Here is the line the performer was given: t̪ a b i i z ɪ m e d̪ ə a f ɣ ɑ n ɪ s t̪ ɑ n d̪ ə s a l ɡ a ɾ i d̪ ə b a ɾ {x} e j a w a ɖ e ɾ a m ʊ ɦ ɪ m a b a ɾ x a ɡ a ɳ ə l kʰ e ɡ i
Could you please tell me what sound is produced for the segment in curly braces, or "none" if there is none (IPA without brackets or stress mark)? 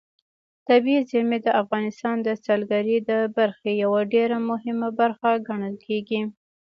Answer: x